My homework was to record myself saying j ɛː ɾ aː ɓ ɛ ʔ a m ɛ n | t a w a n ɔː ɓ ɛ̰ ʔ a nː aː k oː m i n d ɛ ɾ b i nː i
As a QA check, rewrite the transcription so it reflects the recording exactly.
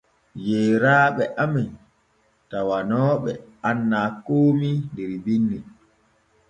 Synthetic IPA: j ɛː ɾ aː ɓ ɛ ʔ a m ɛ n | t a w a n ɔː ɓ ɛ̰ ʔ a nː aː k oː m i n d ɛ ɾ b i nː i